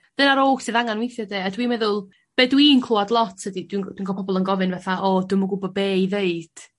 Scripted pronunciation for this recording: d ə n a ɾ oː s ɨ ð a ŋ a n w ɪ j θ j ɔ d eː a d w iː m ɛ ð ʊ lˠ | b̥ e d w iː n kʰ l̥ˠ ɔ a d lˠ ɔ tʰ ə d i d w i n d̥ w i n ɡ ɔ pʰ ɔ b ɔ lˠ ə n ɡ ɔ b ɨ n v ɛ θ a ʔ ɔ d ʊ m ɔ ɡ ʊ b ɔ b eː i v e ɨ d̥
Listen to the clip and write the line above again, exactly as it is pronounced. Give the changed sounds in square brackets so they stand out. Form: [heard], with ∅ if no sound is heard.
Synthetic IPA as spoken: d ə n a ɾ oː s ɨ ð a ŋ a n w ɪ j θ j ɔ d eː a d w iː m ɛ ð ʊ lˠ | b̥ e d w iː n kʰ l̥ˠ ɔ a d lˠ ɔ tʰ ə d i d w i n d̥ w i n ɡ ɔ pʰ ɔ b ɔ lˠ ə n ɡ ɔ [v] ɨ n v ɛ θ a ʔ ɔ d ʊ m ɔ ɡ ʊ b ɔ b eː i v e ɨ d̥